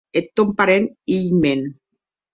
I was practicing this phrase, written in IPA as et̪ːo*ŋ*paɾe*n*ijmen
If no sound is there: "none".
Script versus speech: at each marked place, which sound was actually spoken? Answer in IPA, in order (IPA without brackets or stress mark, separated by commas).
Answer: m, n